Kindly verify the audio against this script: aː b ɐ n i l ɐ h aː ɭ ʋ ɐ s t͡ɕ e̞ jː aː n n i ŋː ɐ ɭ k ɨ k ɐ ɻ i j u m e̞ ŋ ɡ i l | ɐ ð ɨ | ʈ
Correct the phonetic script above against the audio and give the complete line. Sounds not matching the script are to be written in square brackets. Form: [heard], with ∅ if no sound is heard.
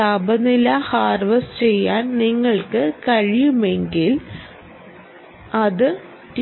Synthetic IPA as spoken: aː b ɐ n i l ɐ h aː [r] ʋ ɐ s t͡ɕ e̞ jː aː n n i ŋː ɐ ɭ k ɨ k ɐ ɻ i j u m e̞ ŋ ɡ i l | ɐ ð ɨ | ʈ